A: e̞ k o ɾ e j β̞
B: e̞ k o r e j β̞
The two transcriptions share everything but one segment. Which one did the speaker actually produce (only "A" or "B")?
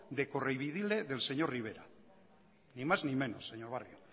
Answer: B